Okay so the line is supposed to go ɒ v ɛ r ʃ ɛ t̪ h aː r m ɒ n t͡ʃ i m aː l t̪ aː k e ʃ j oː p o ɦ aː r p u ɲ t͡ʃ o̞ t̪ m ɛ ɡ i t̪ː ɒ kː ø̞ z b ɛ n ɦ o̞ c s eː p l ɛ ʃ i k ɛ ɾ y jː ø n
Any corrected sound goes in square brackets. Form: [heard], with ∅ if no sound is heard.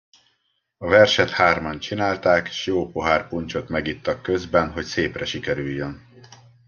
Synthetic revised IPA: ɒ v ɛ r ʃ ɛ t̪ h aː r m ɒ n t͡ʃ i [n] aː l t̪ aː k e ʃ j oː p o ɦ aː r p u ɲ t͡ʃ o̞ t̪ m ɛ ɡ i t̪ː ɒ kː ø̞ z b ɛ n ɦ o̞ c s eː p [r] ɛ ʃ i k ɛ ɾ y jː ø n

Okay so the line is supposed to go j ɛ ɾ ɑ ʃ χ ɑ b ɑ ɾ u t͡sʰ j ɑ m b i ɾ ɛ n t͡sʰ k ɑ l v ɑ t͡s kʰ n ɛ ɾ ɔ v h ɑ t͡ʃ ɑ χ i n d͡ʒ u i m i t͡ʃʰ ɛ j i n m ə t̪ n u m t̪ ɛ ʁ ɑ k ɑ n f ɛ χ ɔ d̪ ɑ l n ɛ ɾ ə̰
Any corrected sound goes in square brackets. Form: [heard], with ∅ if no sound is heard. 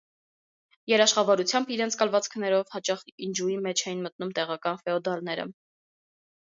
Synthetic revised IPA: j ɛ ɾ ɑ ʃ χ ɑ [v] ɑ ɾ u t͡sʰ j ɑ m b i ɾ ɛ n t͡sʰ k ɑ l v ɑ t͡s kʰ n ɛ ɾ ɔ v h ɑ t͡ʃ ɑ χ i n d͡ʒ u i m [ɛ] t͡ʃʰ ɛ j i n m ə t̪ n u m t̪ ɛ ʁ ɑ k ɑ n f ɛ [∅] ɔ d̪ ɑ l n ɛ ɾ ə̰

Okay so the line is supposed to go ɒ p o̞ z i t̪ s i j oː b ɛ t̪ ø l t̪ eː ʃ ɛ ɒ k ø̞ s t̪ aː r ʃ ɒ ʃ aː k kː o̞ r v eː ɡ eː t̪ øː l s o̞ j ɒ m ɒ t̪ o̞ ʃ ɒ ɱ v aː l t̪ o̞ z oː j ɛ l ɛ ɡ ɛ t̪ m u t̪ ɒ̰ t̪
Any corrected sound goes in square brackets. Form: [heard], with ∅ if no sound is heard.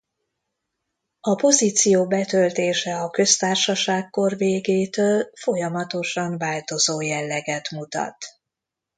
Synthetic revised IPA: ɒ p o̞ z i t̪ s i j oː b ɛ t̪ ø l t̪ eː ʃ ɛ ɒ k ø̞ s t̪ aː r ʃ ɒ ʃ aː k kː o̞ r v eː ɡ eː t̪ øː l [f] o̞ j ɒ m ɒ t̪ o̞ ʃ ɒ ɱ v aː l t̪ o̞ z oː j ɛ [lː] ɛ ɡ ɛ t̪ m u t̪ ɒ̰ t̪

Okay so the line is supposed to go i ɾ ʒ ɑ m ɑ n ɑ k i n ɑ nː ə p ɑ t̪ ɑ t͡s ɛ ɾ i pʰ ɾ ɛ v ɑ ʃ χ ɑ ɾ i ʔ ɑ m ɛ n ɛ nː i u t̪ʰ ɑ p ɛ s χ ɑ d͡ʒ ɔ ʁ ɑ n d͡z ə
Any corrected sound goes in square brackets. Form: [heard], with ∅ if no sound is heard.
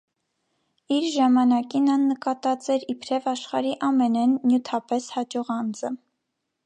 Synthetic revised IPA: i ɾ ʒ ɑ m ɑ n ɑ k i n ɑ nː ə [k] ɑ t̪ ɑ t͡s ɛ ɾ i pʰ ɾ ɛ v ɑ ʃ χ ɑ ɾ i ʔ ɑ m ɛ n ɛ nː [j] u t̪ʰ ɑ p ɛ s [h] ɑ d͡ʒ ɔ ʁ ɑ n d͡z ə

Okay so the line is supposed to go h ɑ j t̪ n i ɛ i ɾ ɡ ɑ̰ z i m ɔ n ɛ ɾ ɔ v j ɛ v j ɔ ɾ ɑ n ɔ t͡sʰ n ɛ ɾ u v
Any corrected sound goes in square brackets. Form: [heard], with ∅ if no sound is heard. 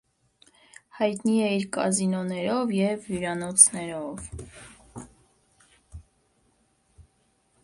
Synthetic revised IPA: h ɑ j t̪ n i ɛ i ɾ [k] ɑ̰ z i [n] ɔ n ɛ ɾ ɔ v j ɛ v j [u] ɾ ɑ n ɔ t͡sʰ n ɛ ɾ [ɔ] v

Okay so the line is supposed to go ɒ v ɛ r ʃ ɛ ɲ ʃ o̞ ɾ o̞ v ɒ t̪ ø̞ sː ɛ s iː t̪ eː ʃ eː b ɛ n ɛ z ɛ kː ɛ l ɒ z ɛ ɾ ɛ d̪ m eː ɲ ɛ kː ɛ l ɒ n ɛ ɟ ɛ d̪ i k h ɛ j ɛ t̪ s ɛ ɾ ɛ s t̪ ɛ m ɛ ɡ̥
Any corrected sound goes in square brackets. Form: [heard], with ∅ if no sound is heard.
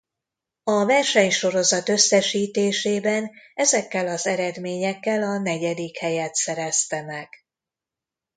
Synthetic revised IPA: ɒ v ɛ r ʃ ɛ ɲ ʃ o̞ ɾ o̞ [z] ɒ t̪ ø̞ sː ɛ [ʃ] iː t̪ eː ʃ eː b ɛ n ɛ z ɛ kː ɛ l ɒ z ɛ ɾ ɛ d̪ m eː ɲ ɛ kː ɛ l ɒ n ɛ ɟ ɛ d̪ i k h ɛ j ɛ t̪ s ɛ ɾ ɛ s t̪ ɛ m ɛ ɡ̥

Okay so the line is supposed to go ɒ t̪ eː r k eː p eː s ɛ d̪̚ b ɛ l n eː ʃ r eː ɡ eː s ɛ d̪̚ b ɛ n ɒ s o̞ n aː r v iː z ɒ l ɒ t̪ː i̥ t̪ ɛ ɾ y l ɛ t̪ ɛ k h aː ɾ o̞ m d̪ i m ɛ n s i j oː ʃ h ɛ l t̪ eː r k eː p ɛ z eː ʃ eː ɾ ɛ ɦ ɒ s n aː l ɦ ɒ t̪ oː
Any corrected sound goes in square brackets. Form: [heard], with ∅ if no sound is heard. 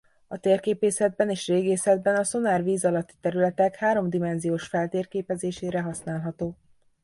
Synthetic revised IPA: ɒ t̪ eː r k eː p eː s ɛ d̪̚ b ɛ [∅] n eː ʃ r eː ɡ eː s ɛ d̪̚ b ɛ n ɒ s o̞ n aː r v iː z ɒ l ɒ t̪ː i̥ t̪ ɛ ɾ y l ɛ t̪ ɛ k h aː ɾ o̞ m d̪ i m ɛ n [z] i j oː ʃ [f] ɛ l t̪ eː r k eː p ɛ z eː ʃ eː ɾ ɛ ɦ ɒ s n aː l ɦ ɒ t̪ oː

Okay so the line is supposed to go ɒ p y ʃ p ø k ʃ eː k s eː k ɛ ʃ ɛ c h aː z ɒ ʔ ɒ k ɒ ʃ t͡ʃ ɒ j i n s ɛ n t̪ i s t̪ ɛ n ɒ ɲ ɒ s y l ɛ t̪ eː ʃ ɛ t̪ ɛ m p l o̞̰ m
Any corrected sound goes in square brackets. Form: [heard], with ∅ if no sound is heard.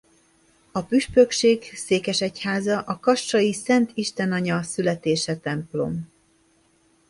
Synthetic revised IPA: ɒ p y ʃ p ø k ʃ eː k s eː k ɛ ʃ ɛ c h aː z ɒ ʔ ɒ k ɒ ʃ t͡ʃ ɒ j i [∅] s ɛ n t̪ i [ʃ] t̪ ɛ n ɒ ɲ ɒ s y l ɛ t̪ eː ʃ ɛ t̪ ɛ m p l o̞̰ m

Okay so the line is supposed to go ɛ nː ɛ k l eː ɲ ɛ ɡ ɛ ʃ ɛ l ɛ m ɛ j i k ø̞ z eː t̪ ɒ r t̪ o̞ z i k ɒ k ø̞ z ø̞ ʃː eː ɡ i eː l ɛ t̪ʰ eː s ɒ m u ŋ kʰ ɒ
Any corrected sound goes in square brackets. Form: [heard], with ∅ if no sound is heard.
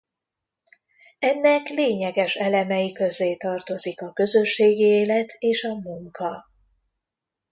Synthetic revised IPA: ɛ nː ɛ k l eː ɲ ɛ ɡ ɛ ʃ ɛ l ɛ m ɛ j i k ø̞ z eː t̪ ɒ r t̪ o̞ z i k ɒ k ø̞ z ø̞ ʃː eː ɡ i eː l ɛ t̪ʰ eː [ʃ] ɒ m u ŋ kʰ ɒ

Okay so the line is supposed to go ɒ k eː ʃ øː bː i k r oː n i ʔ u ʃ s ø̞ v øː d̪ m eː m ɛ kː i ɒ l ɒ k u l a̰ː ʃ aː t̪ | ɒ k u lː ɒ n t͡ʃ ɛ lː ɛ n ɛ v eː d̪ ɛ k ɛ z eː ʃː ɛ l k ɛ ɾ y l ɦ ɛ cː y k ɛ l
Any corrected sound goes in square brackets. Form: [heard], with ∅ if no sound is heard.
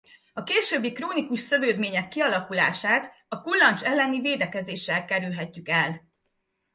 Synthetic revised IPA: ɒ k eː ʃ øː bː i k r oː n i [k] u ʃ s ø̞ v øː d̪ m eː [ɲ] ɛ kː i ɒ l ɒ k u l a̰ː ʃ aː t̪ | ɒ k u lː ɒ n t͡ʃ ɛ lː ɛ n [i] v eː d̪ ɛ k ɛ z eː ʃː ɛ l k ɛ ɾ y l ɦ ɛ cː y k ɛ l

